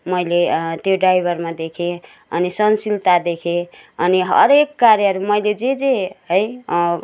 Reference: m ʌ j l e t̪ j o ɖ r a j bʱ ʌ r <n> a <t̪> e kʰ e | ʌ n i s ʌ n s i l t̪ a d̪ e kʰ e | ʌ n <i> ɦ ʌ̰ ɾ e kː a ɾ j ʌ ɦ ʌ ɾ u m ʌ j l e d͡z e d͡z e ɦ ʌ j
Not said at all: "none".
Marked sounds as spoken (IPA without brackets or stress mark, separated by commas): m, d̪, i